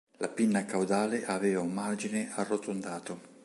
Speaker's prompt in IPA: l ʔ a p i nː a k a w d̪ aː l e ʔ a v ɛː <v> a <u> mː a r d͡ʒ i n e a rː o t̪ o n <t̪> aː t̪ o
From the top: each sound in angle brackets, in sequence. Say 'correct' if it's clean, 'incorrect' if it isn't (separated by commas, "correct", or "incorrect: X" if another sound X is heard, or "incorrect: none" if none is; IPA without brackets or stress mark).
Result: correct, correct, incorrect: d̪